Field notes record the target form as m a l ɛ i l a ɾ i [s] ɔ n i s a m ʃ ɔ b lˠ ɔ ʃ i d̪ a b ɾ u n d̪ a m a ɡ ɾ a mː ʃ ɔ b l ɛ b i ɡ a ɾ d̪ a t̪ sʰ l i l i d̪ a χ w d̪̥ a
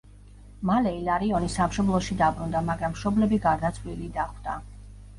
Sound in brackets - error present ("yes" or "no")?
yes